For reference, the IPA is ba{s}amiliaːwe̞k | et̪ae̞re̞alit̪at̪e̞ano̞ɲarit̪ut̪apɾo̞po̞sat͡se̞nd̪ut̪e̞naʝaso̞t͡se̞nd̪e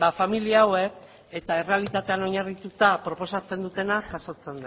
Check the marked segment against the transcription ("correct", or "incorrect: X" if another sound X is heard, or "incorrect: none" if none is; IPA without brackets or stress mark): incorrect: f